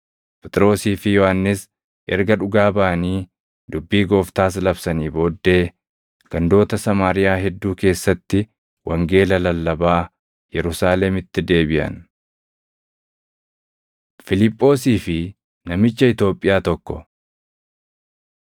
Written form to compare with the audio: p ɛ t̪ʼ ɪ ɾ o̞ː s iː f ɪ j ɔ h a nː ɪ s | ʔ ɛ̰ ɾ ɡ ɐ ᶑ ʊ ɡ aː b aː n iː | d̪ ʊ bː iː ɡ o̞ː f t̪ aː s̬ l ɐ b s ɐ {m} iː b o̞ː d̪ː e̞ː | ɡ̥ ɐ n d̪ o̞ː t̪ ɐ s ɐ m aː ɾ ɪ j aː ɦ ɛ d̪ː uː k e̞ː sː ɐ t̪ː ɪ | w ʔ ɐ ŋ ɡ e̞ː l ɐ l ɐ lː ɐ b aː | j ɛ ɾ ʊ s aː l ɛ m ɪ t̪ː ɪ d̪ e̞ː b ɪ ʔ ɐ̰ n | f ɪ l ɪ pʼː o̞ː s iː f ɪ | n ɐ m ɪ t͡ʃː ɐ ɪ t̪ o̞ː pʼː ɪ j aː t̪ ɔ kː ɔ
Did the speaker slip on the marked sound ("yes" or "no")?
yes